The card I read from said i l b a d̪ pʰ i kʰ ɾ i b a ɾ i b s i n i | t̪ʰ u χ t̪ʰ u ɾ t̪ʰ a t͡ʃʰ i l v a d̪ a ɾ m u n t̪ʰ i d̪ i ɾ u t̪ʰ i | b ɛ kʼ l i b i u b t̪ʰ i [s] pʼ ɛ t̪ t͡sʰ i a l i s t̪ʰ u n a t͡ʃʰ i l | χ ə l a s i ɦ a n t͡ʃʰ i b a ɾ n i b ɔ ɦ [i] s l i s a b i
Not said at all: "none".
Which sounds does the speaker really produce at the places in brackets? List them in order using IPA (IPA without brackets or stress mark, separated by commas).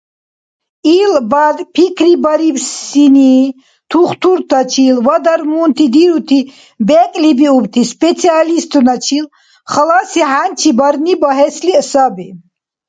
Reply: s, ɛ